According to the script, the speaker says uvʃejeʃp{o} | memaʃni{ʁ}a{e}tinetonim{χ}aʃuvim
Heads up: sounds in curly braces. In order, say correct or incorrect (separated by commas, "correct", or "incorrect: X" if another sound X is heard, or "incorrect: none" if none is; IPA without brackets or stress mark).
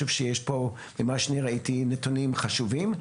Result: correct, correct, incorrect: i, correct